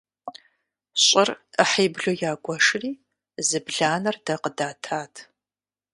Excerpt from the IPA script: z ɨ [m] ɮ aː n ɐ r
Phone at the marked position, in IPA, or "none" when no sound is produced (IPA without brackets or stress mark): b